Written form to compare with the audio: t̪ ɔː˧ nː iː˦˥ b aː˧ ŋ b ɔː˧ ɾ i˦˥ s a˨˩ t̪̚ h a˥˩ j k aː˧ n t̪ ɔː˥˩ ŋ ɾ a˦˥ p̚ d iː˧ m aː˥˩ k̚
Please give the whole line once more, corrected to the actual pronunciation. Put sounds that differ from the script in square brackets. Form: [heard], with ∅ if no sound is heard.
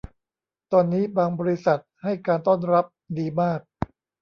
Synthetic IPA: t̪ ɔː˧ nː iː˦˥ b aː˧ ŋ b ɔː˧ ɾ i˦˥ s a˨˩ t̪̚ h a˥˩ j k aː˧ n t̪ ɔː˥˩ [n] ɾ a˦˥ p̚ d iː˧ m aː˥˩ k̚